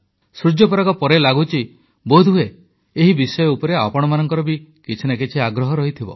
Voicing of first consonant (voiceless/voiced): voiceless